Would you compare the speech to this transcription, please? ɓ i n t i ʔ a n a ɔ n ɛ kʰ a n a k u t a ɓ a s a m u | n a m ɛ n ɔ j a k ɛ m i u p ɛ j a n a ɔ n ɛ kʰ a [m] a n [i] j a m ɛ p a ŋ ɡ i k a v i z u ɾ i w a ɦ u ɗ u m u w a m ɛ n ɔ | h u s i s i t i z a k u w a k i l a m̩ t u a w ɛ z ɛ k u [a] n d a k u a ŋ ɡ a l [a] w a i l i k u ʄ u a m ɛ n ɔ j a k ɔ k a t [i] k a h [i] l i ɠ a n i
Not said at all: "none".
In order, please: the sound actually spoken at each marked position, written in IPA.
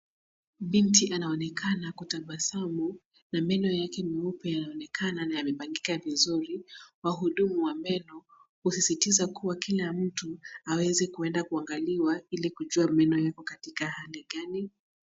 n, a, ɛ, i, i, a

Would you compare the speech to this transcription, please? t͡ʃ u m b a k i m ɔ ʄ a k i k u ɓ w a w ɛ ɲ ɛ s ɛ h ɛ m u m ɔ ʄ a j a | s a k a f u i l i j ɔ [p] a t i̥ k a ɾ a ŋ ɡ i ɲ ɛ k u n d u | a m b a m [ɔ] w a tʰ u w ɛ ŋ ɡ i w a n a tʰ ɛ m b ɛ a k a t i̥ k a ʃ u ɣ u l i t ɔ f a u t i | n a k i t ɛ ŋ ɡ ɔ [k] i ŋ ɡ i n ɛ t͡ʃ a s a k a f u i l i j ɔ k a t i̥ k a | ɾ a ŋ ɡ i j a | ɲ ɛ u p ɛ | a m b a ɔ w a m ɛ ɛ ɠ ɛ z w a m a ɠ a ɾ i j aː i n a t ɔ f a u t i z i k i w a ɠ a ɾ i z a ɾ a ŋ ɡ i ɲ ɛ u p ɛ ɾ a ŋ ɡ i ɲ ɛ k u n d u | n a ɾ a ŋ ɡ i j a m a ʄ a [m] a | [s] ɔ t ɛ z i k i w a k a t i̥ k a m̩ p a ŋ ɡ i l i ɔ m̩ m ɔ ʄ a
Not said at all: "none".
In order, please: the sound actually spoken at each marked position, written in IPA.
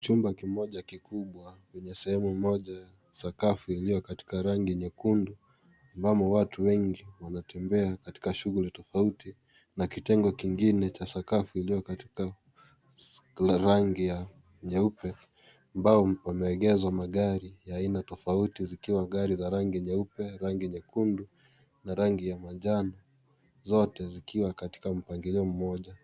k, ɔ, k, n, z

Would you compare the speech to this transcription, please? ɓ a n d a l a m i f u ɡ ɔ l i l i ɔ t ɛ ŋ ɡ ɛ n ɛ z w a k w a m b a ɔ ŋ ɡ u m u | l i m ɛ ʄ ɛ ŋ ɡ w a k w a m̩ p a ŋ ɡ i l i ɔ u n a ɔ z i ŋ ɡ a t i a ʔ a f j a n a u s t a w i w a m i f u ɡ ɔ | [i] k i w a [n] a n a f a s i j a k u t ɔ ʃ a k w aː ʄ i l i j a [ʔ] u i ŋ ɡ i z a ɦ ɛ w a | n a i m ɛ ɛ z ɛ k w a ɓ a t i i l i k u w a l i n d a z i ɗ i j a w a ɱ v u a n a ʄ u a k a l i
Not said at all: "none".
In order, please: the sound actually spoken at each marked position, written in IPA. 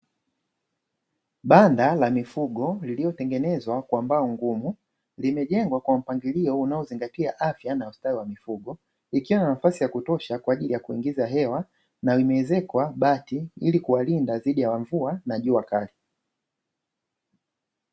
i, n, k

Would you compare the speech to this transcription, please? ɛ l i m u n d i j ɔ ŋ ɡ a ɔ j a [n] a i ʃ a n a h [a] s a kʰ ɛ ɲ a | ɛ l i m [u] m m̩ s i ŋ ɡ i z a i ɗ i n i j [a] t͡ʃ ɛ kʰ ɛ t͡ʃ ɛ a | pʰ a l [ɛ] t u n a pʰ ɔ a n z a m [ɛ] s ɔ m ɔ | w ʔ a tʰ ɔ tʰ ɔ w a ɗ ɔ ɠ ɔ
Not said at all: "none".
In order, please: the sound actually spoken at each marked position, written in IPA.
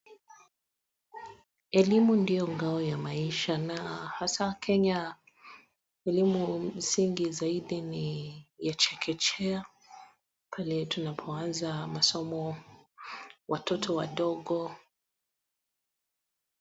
m, a, u, a, ɛ, a

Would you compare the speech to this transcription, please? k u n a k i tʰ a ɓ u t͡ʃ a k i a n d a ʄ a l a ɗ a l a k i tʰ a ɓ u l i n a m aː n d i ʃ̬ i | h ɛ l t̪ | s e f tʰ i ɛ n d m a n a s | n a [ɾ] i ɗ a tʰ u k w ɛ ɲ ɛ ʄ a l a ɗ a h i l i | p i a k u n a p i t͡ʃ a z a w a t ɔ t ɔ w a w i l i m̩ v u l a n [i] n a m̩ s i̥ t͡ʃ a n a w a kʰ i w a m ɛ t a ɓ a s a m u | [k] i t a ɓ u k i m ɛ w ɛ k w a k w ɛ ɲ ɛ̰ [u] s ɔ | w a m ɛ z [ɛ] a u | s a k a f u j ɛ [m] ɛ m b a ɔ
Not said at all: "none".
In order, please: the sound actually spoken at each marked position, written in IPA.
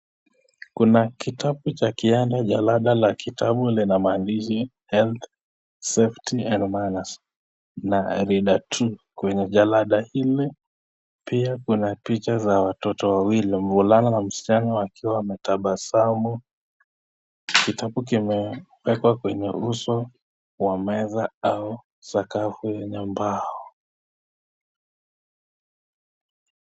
ɾ, a, k, u, a, ɲ

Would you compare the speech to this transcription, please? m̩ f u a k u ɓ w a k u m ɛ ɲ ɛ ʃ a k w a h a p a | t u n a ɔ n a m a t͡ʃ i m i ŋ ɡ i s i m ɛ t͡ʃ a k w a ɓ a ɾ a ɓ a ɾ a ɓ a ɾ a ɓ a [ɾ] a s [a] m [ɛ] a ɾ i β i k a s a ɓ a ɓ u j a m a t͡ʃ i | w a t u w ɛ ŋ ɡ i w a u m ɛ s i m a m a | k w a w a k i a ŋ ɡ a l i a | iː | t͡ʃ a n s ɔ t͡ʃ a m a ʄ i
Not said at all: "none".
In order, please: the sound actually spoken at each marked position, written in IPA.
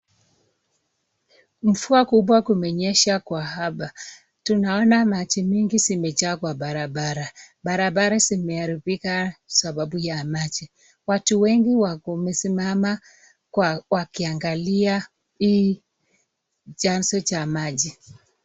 ɾ, i, ɛ

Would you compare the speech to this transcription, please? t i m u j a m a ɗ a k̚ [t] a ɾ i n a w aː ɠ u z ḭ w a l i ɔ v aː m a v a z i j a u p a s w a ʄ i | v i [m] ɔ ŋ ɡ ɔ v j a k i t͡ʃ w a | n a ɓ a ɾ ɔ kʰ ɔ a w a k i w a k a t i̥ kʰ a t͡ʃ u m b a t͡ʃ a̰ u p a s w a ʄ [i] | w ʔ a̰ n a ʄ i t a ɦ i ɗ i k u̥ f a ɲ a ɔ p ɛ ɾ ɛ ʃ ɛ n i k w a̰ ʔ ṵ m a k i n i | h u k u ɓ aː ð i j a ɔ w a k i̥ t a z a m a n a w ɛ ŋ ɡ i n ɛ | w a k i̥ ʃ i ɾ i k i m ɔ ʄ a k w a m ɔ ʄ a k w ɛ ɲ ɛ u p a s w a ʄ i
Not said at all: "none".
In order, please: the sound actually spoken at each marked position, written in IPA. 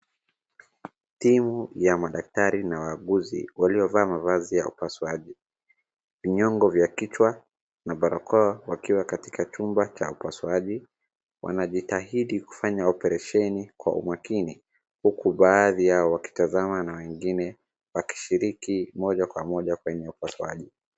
t, ɲ, i

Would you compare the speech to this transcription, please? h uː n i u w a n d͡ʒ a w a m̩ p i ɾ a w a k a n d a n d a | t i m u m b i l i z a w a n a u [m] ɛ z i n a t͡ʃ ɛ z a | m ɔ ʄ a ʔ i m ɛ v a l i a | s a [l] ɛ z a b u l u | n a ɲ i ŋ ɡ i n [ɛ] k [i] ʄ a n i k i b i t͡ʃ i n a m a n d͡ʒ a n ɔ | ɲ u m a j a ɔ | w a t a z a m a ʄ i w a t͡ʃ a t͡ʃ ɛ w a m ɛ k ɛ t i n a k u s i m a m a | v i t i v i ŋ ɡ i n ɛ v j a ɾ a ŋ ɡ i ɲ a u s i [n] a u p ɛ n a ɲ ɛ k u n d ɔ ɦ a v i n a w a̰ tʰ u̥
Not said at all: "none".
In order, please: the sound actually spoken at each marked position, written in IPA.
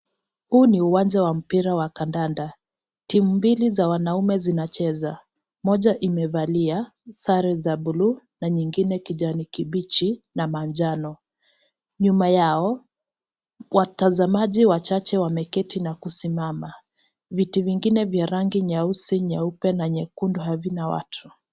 m, ɾ, ɛ, i, ɲ

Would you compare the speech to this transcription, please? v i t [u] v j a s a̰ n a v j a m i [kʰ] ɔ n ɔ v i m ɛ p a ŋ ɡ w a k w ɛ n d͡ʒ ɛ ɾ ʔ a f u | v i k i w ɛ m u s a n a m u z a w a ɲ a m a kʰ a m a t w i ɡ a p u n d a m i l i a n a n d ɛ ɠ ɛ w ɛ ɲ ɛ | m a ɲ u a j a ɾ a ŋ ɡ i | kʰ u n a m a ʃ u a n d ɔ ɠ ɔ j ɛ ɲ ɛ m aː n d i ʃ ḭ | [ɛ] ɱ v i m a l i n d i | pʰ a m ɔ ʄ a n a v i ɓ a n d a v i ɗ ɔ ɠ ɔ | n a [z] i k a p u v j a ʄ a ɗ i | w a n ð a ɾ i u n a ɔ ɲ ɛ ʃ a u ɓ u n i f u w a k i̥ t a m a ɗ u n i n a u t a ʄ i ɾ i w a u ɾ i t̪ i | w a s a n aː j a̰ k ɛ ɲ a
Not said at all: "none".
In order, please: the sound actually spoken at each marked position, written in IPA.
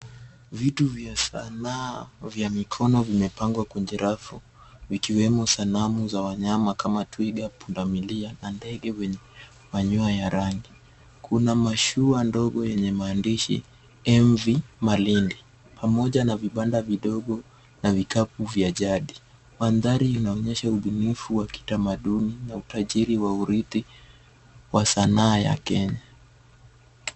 u, kʰ, ɛ, v

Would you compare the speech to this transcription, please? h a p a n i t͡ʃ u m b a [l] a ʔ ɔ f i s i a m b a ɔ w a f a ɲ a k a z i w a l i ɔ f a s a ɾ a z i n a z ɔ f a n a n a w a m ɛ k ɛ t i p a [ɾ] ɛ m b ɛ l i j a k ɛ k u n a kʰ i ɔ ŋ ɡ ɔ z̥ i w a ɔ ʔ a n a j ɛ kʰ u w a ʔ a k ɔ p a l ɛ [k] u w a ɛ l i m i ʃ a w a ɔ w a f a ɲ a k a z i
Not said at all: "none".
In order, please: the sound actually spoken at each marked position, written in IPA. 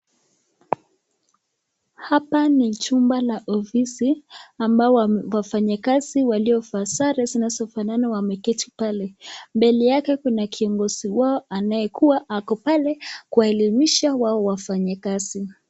l, l, k

